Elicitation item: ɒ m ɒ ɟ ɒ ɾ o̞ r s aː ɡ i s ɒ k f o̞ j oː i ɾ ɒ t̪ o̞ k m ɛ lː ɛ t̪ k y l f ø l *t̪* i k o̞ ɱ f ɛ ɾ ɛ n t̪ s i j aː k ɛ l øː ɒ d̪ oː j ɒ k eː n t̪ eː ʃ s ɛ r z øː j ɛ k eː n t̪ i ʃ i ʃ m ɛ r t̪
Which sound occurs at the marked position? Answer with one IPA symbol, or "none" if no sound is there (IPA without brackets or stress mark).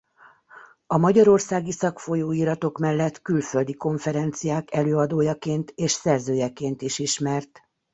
d̪